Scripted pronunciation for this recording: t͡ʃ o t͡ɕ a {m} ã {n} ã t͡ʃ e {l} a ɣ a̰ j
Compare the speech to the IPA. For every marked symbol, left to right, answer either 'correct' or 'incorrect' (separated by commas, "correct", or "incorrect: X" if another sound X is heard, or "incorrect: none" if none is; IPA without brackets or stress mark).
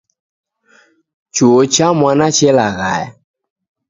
correct, correct, correct